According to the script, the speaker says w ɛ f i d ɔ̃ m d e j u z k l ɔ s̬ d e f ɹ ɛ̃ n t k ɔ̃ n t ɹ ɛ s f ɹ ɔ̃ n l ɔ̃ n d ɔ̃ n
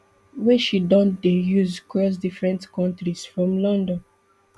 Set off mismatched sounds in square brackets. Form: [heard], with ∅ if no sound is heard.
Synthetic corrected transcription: w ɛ [ʃ] i d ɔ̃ [n] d e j u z k [ɹ] ɔ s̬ d [i] f ɹ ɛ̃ n t k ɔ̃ n t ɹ [i] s f ɹ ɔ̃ [m] l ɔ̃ n d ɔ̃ n